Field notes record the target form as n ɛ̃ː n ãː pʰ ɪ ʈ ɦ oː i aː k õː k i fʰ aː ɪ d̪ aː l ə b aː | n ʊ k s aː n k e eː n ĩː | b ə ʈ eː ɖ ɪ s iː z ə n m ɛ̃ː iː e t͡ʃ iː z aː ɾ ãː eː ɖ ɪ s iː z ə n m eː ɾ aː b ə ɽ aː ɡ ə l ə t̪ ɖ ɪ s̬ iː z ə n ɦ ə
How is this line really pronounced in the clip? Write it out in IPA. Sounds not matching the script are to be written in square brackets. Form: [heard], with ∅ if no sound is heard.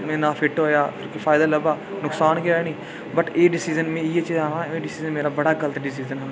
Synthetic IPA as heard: [m] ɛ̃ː n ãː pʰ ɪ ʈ ɦ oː [j] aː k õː k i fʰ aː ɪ d̪ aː l ə b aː | n ʊ k s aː n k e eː n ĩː | b ə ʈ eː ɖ ɪ s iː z ə n m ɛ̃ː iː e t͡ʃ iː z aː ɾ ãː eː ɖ ɪ s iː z ə n m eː ɾ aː b ə ɽ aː ɡ ə l ə t̪ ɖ ɪ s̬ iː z ə n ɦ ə